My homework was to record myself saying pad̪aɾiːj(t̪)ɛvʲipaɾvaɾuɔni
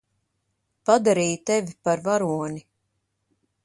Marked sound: correct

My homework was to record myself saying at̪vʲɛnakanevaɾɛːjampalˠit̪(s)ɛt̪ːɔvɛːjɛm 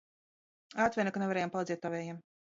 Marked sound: incorrect: z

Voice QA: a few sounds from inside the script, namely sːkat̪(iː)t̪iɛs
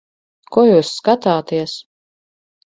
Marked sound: incorrect: aː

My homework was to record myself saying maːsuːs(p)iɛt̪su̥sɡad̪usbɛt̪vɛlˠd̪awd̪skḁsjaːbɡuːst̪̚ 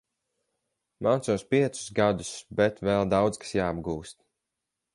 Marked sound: correct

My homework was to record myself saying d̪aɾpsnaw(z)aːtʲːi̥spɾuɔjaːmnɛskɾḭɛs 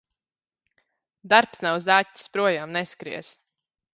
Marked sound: correct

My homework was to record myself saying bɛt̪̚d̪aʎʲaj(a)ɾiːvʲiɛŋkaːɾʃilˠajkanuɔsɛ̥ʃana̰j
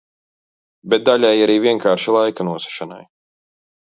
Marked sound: correct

